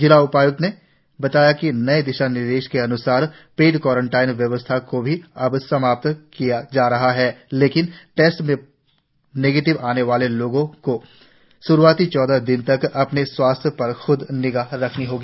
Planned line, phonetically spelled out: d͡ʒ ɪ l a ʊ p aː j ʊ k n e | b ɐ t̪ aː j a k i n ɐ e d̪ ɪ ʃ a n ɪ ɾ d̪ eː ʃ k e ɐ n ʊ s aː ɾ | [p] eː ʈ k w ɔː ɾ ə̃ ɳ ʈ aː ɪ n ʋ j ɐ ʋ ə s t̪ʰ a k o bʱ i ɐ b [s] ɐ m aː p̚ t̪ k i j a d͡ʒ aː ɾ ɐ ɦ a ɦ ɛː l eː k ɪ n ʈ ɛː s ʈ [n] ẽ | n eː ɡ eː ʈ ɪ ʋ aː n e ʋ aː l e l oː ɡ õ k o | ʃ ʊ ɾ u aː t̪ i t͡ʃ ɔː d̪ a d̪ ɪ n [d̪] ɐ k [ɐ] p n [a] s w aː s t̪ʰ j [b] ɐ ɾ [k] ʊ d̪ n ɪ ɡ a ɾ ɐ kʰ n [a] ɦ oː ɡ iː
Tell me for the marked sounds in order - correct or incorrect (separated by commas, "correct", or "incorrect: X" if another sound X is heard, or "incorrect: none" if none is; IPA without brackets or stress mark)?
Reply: correct, correct, incorrect: m, incorrect: t̪, correct, incorrect: e, incorrect: p, incorrect: x, incorrect: i